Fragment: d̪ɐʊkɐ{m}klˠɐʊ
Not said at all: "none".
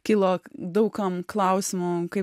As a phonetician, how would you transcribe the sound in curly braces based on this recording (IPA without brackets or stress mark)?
m